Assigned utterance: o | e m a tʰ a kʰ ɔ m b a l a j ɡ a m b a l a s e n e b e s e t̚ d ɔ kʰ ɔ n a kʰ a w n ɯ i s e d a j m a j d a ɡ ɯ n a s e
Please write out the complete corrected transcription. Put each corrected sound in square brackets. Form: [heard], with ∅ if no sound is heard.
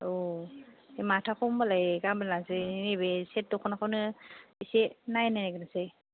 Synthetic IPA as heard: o | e m a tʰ a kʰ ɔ m b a l a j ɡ a m b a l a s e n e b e s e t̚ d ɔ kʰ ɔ n a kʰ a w n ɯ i s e [n] a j [n] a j [n] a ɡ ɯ n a s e

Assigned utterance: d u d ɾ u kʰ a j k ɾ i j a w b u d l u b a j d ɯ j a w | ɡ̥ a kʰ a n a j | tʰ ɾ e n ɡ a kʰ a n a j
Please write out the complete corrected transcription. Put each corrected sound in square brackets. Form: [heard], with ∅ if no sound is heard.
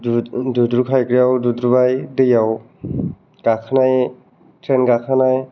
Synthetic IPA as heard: d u d ɾ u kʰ a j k ɾ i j a w [d] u d [ɾ] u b a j d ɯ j a w | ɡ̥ a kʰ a n a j | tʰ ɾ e n ɡ a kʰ a n a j

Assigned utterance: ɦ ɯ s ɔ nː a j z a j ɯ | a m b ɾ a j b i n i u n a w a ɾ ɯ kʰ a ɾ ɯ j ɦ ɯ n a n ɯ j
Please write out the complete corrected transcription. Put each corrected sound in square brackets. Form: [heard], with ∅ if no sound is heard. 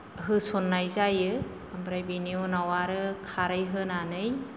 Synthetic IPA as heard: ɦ ɯ s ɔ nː a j z a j ɯ | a m b ɾ a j b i n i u n a w a ɾ ɯ kʰ a ɾ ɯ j ɦ ɯ n a n ɯ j

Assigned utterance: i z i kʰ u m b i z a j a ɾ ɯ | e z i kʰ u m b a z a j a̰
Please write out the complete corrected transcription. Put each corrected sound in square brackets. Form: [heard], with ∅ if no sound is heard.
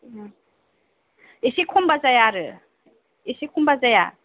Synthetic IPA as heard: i [s] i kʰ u m b [a] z a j a ɾ ɯ | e [s] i kʰ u m b a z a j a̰

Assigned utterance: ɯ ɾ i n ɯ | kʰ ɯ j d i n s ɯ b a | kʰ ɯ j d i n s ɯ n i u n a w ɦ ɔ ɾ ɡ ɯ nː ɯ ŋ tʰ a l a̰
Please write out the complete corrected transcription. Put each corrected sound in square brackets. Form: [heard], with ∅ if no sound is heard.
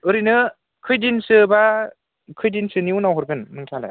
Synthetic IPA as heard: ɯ ɾ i n ɯ | kʰ ɯ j d i n s ɯ b a | kʰ ɯ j d i n s ɯ n i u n a w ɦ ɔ ɾ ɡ ɯ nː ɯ ŋ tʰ a l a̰

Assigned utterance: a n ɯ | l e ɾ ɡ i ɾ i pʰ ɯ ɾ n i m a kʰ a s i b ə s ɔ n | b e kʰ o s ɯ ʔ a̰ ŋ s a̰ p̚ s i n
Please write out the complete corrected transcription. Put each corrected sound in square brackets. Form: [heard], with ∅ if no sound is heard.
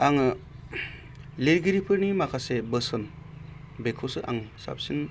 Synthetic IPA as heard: a [ŋ] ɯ | l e ɾ ɡ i ɾ i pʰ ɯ ɾ n i m a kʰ a s [e] b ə s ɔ n | b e kʰ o s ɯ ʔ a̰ ŋ s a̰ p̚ s i n

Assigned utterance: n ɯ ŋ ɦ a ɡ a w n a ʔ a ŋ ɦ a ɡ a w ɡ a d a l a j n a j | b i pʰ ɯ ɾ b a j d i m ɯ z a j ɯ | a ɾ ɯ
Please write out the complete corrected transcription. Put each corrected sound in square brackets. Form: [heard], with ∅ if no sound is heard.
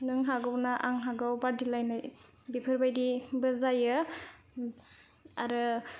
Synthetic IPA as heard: n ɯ ŋ ɦ a ɡ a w n a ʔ a ŋ ɦ a ɡ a w [b] a d [i] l a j n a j | b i pʰ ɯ ɾ b a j d i [b] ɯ z a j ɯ | a ɾ ɯ

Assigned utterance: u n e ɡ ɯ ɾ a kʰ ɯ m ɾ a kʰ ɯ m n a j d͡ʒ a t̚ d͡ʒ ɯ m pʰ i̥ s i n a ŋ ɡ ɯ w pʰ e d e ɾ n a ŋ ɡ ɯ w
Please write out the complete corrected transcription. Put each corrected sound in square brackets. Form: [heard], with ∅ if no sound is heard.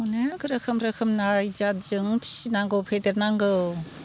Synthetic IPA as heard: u n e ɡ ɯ ɾ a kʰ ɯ m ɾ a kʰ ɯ m n a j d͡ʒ a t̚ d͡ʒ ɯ [ŋ] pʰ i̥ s i n a ŋ ɡ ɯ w pʰ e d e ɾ n a ŋ ɡ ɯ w

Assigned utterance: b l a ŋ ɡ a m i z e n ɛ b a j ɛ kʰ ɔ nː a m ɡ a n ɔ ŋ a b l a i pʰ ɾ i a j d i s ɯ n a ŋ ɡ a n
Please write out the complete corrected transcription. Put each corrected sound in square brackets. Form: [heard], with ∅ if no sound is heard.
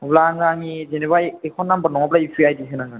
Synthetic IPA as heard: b l a ŋ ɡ a [ŋ] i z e n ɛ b a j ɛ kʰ ɔ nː a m [b] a n ɔ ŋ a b l a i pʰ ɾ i a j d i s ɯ n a ŋ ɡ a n

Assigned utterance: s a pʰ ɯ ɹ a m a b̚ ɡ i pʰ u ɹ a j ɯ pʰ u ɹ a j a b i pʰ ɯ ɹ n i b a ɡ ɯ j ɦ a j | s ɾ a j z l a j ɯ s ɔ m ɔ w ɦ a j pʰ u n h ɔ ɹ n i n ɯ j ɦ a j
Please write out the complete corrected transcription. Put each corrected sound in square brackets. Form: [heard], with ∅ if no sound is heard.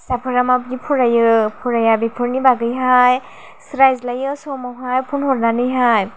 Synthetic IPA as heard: s a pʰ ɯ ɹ a m a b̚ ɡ i pʰ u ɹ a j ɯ pʰ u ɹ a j a b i pʰ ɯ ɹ n i b a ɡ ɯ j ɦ a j | s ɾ a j z l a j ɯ s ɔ m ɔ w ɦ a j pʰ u n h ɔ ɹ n [a] n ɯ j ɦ a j

